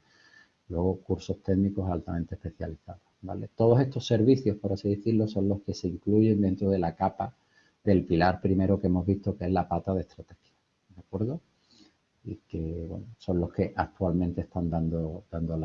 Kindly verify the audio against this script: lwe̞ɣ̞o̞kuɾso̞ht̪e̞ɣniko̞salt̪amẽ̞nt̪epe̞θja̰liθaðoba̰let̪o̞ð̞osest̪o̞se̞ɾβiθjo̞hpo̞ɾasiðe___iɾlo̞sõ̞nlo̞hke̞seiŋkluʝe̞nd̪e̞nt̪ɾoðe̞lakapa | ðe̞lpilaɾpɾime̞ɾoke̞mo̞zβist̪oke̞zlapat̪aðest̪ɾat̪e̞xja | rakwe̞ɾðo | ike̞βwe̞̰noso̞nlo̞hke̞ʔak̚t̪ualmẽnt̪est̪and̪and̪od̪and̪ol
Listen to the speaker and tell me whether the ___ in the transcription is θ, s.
θ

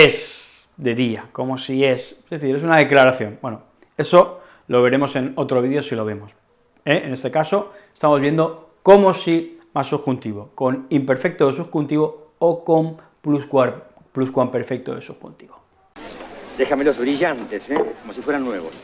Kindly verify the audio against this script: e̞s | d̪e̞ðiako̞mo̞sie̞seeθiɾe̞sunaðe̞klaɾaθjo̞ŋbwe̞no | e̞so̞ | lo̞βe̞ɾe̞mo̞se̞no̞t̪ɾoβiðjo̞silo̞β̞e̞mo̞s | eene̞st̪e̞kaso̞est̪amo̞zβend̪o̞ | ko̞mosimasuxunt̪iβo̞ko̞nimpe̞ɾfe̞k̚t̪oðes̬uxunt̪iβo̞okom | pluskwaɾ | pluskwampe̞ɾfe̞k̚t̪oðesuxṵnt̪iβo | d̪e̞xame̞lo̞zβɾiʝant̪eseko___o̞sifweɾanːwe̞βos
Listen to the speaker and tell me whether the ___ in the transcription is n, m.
m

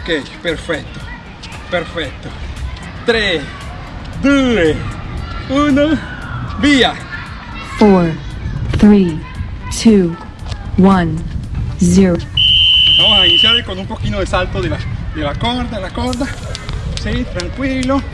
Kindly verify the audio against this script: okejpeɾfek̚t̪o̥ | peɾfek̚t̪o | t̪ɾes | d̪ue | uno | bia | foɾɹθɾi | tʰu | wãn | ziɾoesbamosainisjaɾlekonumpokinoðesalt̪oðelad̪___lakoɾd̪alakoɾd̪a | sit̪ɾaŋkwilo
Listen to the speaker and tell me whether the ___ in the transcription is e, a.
e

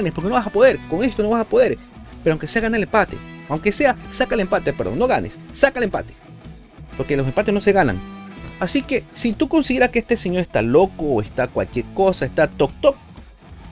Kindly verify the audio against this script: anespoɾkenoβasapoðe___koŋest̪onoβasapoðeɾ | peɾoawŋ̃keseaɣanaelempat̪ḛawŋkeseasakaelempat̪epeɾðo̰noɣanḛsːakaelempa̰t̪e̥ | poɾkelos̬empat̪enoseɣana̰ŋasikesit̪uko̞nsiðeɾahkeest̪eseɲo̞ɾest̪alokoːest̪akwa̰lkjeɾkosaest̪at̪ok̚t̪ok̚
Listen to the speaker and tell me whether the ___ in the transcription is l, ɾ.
ɾ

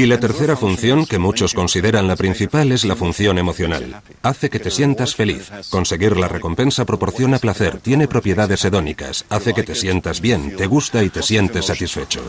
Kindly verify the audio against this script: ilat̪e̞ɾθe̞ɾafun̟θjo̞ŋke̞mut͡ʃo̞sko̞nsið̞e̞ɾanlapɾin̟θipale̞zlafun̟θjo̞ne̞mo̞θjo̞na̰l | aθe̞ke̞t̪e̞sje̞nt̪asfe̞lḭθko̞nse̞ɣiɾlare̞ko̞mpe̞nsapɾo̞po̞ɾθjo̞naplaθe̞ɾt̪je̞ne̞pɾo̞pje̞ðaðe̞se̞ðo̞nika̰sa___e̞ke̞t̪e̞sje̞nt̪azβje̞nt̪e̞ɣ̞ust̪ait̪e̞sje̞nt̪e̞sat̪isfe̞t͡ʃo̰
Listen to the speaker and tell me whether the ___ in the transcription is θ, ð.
θ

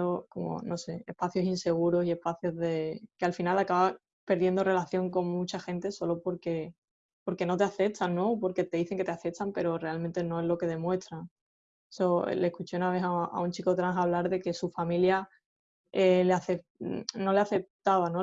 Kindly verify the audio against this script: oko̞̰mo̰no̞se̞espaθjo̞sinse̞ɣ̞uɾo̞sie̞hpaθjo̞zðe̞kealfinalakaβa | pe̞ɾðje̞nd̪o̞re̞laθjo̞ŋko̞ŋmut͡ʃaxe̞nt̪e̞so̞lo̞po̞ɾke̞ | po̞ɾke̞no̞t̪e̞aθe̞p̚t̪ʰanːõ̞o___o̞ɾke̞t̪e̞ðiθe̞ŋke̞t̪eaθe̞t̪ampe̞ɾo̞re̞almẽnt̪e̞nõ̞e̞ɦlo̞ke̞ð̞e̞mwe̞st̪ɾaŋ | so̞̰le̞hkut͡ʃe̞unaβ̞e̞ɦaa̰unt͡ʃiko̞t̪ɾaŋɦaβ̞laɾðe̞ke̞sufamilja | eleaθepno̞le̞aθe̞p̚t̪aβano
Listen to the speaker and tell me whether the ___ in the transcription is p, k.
p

